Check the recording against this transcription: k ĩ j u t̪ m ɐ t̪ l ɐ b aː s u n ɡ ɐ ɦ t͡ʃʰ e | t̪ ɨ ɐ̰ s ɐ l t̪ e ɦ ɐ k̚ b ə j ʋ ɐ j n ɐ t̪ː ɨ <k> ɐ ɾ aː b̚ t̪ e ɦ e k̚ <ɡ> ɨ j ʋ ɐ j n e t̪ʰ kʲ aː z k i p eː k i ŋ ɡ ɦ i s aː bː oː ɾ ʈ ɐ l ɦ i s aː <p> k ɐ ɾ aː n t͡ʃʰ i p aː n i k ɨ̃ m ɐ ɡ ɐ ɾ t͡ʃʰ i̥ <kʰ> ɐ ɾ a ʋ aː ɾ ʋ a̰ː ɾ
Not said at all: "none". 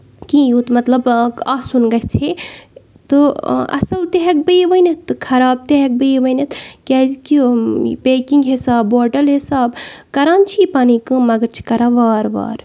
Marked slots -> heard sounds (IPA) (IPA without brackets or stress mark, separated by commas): kʰ, b, b, k